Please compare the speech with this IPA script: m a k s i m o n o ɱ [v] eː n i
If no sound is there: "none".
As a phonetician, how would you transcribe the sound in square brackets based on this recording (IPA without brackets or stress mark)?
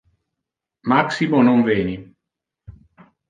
v